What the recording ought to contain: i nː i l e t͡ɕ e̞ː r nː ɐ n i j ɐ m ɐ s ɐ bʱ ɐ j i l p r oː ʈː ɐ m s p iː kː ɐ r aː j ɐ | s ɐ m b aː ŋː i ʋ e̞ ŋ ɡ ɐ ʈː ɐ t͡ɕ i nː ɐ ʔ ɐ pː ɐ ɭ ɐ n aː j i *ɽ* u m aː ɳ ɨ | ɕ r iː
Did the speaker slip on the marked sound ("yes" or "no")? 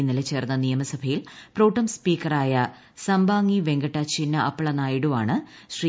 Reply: no